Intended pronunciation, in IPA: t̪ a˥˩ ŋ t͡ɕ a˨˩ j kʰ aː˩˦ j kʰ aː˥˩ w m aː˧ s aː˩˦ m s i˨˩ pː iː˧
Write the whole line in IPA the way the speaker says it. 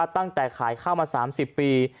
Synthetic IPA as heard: t̪ a˥˩ ŋ t͡ɕ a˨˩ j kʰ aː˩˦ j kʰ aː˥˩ w m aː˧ s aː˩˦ m s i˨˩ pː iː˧